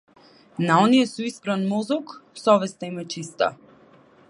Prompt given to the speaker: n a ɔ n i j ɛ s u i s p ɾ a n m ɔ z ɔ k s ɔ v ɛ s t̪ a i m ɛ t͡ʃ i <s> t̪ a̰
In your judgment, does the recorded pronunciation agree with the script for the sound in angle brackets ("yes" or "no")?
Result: yes